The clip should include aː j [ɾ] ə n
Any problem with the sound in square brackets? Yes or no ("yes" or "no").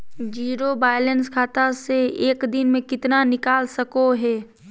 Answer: yes